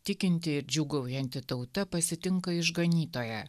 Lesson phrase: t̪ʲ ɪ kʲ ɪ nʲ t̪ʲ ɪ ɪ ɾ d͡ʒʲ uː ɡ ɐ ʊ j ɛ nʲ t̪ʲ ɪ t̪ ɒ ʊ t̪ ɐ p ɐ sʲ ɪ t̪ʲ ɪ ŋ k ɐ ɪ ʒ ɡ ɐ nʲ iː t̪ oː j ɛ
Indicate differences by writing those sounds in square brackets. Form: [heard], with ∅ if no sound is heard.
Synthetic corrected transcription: t̪ʲ ɪ kʲ ɪ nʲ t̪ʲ ɪ ɪ ɾ d͡ʒʲ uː ɡ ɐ ʊ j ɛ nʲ t̪ʲ ɪ t̪ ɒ ʊ t̪ ɐ p ɐ sʲ ɪ t̪ʲ ɪ ŋ k ɐ ɪ ʒ ɡ ɐ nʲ iː t̪ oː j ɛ